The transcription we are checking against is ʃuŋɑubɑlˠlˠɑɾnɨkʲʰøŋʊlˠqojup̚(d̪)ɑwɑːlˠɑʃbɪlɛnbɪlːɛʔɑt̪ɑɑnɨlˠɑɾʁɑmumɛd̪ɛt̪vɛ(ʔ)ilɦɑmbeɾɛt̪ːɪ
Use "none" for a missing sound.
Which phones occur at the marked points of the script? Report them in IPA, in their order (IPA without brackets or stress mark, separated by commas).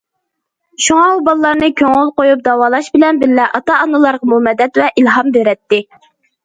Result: d̪, ʔ